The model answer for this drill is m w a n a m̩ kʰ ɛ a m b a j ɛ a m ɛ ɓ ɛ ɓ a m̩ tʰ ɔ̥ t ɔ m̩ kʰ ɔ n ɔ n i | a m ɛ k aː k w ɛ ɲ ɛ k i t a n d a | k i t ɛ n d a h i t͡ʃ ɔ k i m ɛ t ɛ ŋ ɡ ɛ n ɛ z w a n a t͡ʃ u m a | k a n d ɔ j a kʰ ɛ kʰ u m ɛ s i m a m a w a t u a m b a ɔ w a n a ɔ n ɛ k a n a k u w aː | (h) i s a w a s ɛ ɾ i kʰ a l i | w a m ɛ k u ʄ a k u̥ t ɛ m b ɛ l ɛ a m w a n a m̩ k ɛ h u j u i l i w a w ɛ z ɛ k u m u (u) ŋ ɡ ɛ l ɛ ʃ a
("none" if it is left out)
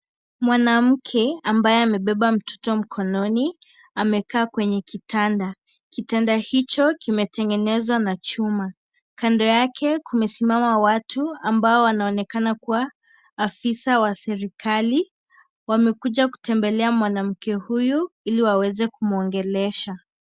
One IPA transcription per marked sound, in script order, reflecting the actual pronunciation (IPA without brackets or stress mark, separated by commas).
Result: f, ɔ